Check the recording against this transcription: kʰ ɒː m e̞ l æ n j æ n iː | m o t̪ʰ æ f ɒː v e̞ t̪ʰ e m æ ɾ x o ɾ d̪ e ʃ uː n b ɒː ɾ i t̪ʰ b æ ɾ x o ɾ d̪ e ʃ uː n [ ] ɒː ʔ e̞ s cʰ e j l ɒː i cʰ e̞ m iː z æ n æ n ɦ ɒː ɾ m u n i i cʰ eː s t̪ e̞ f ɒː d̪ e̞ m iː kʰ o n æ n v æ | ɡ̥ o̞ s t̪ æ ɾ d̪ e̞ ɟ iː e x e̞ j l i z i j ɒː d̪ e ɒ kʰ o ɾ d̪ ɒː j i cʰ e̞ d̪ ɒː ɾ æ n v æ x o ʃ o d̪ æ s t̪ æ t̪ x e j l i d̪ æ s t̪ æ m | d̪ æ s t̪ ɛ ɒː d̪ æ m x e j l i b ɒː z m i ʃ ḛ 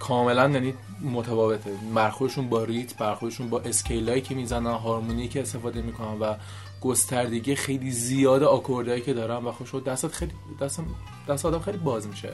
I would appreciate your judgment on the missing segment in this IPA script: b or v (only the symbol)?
b